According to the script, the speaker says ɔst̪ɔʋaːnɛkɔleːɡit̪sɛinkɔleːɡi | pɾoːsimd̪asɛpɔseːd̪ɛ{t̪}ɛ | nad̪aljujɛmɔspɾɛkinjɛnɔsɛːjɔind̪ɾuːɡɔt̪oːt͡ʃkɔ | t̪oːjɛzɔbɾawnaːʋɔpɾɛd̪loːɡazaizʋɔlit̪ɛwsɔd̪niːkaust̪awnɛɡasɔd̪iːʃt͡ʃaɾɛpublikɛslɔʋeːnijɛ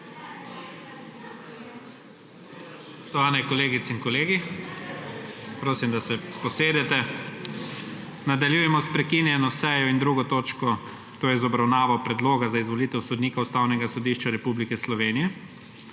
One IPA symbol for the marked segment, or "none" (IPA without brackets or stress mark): t̪